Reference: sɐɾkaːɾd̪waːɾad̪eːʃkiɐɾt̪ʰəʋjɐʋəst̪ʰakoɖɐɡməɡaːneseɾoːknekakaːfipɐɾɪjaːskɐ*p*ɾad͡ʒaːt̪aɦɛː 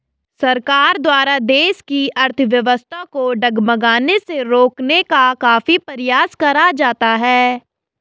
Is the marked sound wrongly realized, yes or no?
yes